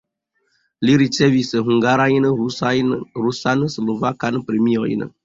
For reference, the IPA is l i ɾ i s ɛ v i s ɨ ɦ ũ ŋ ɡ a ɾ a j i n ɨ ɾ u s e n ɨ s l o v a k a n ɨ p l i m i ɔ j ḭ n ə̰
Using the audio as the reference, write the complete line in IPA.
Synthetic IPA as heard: l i ɾ i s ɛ v i s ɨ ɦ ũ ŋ ɡ a ɾ a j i n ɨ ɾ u s a n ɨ s l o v a k a n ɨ p ɾ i m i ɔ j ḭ n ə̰